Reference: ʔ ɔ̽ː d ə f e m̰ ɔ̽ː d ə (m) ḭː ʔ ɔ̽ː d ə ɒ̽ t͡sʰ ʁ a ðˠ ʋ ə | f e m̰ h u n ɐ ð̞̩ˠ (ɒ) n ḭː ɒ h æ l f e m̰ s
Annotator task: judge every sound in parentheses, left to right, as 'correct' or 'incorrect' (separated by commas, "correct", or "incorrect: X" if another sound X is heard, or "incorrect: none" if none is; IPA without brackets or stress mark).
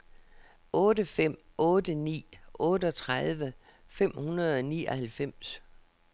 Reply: incorrect: n, correct